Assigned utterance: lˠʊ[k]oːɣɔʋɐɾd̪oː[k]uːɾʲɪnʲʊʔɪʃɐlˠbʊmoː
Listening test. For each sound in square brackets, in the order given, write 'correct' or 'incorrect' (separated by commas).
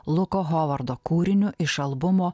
correct, correct